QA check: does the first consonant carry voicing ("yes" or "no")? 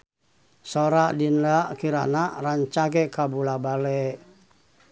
no